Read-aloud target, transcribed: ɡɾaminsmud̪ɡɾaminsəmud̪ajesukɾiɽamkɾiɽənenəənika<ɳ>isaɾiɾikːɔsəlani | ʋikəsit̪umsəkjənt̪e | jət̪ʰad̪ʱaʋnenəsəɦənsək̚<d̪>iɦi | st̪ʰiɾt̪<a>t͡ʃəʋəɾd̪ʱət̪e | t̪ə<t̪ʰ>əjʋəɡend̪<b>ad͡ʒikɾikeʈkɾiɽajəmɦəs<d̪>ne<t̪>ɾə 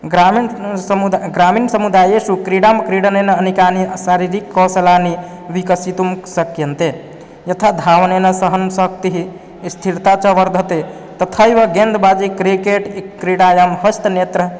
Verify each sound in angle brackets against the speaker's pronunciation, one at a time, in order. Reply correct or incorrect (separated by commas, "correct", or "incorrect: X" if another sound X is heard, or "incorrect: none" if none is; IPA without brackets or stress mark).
incorrect: n, incorrect: t̪, correct, correct, correct, incorrect: t̪, correct